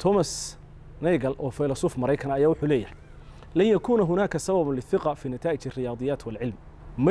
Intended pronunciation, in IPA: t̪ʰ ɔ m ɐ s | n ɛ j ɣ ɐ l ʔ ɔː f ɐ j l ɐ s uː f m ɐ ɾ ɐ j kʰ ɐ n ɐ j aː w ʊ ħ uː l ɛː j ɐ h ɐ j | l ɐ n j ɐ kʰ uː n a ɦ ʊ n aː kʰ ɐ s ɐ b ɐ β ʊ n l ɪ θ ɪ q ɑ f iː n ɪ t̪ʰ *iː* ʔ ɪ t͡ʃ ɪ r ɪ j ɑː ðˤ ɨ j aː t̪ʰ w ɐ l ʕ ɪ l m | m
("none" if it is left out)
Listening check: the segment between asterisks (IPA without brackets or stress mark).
aː